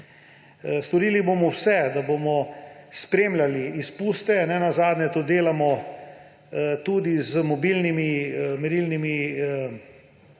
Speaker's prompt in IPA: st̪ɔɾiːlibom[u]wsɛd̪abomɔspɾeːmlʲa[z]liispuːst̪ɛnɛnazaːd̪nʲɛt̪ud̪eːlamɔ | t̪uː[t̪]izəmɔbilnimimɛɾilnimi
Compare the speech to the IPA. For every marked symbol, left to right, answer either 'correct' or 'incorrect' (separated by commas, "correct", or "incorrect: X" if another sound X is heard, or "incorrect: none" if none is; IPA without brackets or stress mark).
incorrect: ɔ, incorrect: none, incorrect: d̪